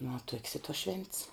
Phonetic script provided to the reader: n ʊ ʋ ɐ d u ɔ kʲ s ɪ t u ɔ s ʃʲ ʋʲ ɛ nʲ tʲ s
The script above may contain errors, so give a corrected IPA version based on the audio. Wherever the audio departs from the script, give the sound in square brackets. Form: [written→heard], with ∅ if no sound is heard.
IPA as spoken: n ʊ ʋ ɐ [d→t] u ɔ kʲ s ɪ t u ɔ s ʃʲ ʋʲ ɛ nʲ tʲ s

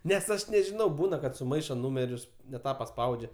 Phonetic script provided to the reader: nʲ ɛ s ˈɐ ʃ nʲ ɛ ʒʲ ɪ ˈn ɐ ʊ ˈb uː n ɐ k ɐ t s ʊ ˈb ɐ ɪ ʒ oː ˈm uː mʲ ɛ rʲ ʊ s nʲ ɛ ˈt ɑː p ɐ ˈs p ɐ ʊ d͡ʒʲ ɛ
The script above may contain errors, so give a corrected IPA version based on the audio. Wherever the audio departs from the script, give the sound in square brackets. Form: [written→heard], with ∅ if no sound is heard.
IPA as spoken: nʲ ɛ s ˈɐ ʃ nʲ ɛ ʒʲ ɪ ˈn ɐ ʊ ˈb uː n ɐ k ɐ t s ʊ [ˈb→ˈm] ɐ ɪ [ʒ→ʃ] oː [ˈm→ˈn] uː mʲ ɛ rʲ ʊ s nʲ ɛ ˈt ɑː p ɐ ˈs p ɐ ʊ d͡ʒʲ ɛ

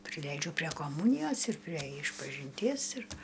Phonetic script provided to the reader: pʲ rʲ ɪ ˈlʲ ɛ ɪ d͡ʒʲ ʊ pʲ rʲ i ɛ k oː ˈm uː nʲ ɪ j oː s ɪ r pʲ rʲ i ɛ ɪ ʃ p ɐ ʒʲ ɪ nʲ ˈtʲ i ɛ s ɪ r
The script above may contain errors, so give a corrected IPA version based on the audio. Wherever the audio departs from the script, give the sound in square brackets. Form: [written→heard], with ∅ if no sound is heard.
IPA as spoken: pʲ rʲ ɪ ˈlʲ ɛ ɪ d͡ʒʲ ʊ pʲ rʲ i ɛ k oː ˈm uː nʲ ɪ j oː s ɪ r pʲ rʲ i ɛ ɪ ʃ p ɐ ʒʲ ɪ nʲ ˈtʲ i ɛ s ɪ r

